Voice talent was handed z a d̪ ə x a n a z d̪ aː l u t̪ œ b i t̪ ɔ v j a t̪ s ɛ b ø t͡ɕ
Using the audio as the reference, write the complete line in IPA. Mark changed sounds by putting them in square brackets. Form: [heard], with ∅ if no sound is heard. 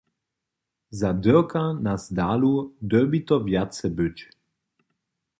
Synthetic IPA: z a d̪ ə [k] a n a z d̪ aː l u [d̪] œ b i t̪ ɔ v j a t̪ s ɛ b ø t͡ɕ